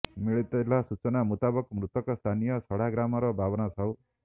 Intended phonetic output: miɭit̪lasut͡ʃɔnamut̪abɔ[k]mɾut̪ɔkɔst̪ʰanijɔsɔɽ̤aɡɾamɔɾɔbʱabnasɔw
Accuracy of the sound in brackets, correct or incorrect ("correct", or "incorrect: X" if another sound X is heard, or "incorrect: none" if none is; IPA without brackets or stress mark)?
correct